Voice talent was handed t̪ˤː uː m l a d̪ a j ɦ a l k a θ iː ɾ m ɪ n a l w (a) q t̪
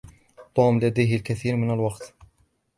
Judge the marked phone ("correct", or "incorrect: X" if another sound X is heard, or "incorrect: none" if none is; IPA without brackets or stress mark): incorrect: ɑ